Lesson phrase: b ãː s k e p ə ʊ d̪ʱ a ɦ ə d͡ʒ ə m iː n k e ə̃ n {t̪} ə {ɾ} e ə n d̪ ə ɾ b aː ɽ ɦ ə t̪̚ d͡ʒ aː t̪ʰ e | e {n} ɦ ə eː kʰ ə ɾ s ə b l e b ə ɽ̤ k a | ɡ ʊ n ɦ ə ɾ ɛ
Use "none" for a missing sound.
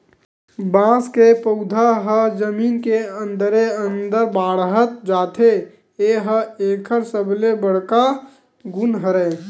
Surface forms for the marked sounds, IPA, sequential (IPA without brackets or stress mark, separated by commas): d̪, ɾ, none